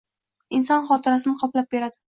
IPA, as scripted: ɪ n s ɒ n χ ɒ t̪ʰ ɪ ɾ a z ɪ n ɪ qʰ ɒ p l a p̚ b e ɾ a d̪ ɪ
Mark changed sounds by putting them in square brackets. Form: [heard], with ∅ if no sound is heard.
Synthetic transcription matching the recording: ɪ n s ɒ n χ ɒ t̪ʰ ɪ ɾ a [s] ɪ n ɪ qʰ ɒ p l a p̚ b e ɾ a d̪ ɪ